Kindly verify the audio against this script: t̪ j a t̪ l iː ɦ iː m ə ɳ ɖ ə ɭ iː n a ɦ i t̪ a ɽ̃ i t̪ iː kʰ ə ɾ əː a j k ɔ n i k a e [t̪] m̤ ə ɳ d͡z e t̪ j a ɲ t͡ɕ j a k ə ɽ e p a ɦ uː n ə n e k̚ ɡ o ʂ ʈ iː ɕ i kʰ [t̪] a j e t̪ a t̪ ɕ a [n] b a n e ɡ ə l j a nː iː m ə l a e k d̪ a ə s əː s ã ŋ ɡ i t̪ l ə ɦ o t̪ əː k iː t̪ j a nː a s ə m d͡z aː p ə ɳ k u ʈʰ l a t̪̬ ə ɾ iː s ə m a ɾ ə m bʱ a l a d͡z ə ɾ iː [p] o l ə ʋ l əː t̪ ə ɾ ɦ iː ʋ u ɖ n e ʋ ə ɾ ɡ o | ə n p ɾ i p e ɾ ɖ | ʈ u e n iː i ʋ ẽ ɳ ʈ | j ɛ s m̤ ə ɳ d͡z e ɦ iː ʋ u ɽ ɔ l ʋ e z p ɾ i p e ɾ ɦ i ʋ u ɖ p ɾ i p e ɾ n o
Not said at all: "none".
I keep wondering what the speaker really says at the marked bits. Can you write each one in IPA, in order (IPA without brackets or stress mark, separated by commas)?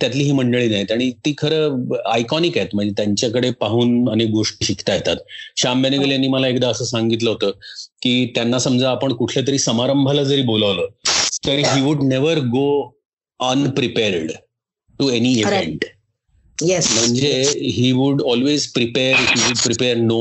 t̪, t̪, m, b